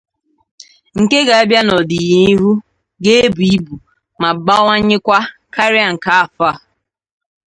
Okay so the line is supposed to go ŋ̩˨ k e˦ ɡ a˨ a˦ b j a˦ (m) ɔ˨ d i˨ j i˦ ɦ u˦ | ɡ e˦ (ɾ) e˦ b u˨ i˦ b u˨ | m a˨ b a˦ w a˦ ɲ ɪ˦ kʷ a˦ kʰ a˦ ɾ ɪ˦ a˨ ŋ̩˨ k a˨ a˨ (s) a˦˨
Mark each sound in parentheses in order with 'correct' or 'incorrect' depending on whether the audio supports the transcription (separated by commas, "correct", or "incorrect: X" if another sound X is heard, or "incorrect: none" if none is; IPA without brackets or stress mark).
incorrect: n, incorrect: none, incorrect: f